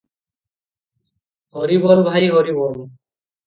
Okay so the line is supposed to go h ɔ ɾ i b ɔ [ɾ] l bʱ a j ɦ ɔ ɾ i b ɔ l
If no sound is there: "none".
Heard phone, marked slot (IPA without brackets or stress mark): none